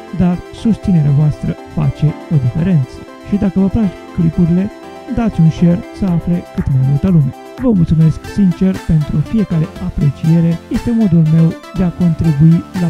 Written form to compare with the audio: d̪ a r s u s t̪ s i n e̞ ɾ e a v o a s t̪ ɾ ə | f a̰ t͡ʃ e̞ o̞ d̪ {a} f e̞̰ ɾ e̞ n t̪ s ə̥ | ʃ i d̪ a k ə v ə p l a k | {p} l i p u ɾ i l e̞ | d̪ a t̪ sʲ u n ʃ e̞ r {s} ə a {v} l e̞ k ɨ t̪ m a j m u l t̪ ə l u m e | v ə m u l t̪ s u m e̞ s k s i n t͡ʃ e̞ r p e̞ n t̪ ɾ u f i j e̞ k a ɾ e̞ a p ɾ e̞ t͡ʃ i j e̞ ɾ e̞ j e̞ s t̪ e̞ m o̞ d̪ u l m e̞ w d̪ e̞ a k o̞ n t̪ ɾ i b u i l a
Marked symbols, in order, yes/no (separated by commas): no, no, yes, no